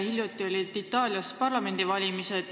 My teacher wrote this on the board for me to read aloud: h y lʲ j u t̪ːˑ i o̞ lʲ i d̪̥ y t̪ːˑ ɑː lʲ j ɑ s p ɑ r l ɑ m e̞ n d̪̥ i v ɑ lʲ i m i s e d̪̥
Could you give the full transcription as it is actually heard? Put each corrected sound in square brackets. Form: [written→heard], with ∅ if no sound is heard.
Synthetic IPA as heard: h [y→i] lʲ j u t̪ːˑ i o̞ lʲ i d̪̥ [y→i] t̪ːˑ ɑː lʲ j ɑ s p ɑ r l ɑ m e̞ n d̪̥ i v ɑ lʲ i m i s e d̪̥